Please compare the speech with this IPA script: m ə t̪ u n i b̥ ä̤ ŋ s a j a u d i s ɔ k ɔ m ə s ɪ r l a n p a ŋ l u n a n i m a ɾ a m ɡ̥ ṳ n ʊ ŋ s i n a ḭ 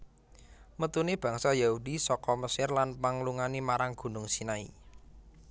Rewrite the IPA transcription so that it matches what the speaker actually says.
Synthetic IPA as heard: m ə t̪ u n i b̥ ä̤ ŋ s a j a u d i s ɔ k ɔ m ə s ɪ r l a n p a ŋ l u ŋ a n i m a ɾ a ŋ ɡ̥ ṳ n ʊ ŋ s i n a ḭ